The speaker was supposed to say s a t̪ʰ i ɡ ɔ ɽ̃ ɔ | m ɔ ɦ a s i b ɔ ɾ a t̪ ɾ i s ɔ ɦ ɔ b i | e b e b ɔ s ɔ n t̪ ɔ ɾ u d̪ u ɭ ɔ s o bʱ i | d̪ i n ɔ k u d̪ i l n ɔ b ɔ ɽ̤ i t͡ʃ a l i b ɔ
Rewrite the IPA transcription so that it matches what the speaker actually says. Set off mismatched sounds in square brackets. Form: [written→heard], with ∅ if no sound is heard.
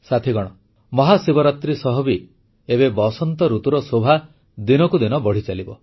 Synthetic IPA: s a t̪ʰ i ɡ ɔ ɽ̃ ɔ | m ɔ ɦ a s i b ɔ ɾ a t̪ ɾ i s ɔ ɦ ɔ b i | e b e b ɔ s ɔ n t̪ ɔ ɾ u [d̪→t̪] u [ɭ→ɾ] ɔ s o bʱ [i→a] | d̪ i n ɔ k u d̪ i [l→∅] n ɔ b ɔ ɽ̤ i t͡ʃ a l i b ɔ